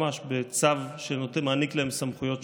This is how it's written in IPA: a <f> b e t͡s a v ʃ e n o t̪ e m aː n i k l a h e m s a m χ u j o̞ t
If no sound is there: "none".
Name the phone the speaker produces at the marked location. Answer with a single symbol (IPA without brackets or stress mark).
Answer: ʃ